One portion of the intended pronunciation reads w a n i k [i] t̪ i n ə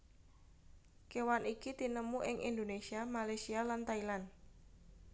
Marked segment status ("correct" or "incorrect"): correct